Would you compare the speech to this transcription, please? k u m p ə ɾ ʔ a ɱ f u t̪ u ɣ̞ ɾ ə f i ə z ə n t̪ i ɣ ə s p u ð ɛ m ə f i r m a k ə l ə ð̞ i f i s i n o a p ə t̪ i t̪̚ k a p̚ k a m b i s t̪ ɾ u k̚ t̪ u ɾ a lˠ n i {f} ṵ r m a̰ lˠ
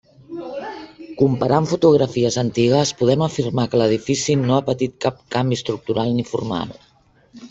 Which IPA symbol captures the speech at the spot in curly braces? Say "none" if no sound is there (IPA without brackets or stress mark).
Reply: f